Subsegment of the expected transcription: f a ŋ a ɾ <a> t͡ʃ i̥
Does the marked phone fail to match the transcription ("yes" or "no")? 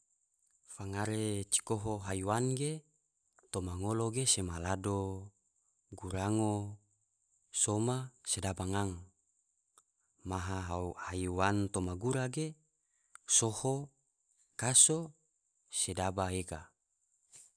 yes